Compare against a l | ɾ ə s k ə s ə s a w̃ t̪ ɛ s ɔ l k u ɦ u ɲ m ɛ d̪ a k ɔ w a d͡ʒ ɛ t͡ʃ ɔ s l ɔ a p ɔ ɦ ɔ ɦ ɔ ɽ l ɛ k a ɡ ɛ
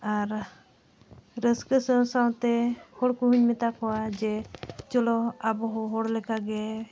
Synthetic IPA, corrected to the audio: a ɾ | ɾ ə s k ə s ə s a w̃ t̪ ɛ h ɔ ɽ k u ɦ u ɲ m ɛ t̪ a k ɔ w a d͡ʒ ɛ t͡ʃ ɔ l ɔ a b ɔ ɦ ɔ ɦ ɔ ɽ l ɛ k a ɡ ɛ